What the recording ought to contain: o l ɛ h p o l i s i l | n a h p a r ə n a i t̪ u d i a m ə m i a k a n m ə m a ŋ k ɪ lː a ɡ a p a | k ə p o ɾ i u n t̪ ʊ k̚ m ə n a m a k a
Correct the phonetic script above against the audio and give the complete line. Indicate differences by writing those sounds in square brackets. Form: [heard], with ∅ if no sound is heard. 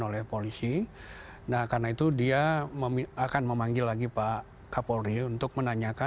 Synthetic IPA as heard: o l ɛ h p o l i s i [∅] | n a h [k] a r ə n a i t̪ u d i a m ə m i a k a n m ə m a ŋ [ɡ] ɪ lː a ɡ [i] p a | k [a] p o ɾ i u n t̪ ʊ k̚ m ə n a [ɲ] a k a